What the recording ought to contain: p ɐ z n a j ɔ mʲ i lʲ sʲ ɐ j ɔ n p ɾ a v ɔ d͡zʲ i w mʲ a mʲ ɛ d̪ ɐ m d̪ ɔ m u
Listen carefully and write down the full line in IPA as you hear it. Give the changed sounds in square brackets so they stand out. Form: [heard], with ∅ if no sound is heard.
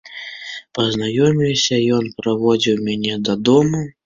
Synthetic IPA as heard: p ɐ z n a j ɔ mʲ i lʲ sʲ ɐ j ɔ n p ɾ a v ɔ d͡zʲ i w mʲ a [nʲ] ɛ d̪ ɐ [∅] d̪ ɔ m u